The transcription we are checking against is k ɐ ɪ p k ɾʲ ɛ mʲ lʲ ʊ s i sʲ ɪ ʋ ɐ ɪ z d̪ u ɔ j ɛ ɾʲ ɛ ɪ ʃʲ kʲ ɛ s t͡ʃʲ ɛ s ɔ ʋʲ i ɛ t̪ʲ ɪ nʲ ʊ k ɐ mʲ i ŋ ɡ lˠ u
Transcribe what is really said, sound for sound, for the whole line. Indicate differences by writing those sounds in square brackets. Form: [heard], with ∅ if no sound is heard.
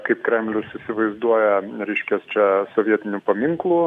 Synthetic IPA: k ɐ ɪ p k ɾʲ ɛ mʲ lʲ ʊ s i sʲ ɪ ʋ ɐ ɪ z d̪ u ɔ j ɛ ɾʲ ɛ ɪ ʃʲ kʲ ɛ s t͡ʃʲ ɛ s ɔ ʋʲ i ɛ t̪ʲ ɪ nʲ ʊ [p] ɐ mʲ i ŋ [k] lˠ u